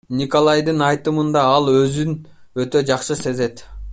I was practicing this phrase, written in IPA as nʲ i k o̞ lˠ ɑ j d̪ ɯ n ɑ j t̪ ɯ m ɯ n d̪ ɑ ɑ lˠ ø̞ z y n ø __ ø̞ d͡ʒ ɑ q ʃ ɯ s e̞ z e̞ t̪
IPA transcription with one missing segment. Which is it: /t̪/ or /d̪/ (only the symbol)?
t̪